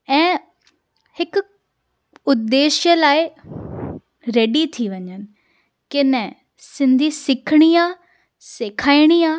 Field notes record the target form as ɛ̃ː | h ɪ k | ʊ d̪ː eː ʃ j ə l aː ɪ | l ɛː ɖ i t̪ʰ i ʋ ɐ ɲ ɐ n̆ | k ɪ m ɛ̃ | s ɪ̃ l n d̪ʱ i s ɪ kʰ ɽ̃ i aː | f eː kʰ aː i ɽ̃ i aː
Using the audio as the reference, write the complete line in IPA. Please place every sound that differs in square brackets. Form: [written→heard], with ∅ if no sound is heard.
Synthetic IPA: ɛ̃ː | h ɪ k | ʊ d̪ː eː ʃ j ə l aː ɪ | [l→ɾ] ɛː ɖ i t̪ʰ i ʋ ɐ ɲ [ɐ→ə] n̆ | k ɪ [m→n] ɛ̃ | s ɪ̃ [l→∅] n d̪ʱ i s ɪ kʰ ɽ̃ i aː | [f→s] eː kʰ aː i ɽ̃ i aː